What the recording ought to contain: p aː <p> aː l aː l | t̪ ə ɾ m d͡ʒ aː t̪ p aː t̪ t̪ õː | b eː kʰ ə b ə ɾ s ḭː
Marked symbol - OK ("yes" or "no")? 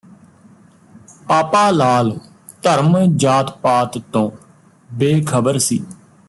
yes